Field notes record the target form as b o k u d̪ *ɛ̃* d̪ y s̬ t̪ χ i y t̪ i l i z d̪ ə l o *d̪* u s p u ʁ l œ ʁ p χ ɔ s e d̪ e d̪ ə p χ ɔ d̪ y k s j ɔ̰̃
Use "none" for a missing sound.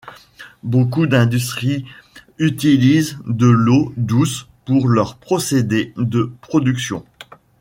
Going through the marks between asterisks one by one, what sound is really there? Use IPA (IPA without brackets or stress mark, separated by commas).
ɛ̃, d̪